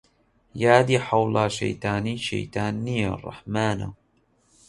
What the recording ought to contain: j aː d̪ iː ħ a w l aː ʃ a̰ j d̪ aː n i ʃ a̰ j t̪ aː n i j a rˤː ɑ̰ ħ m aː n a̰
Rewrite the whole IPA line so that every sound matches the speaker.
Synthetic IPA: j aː d̪ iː ħ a w l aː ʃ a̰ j t̪ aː n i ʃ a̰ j t̪ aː n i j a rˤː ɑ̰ ħ m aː n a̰